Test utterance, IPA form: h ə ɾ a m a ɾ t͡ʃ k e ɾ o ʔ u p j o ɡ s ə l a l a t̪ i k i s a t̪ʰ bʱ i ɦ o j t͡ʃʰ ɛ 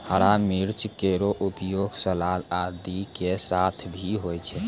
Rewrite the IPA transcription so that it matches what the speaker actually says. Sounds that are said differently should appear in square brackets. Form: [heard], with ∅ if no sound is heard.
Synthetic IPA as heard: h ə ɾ a m [i] ɾ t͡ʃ k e ɾ o ʔ u p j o ɡ s ə l a l a [d̪] i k [e] s a t̪ʰ bʱ i ɦ o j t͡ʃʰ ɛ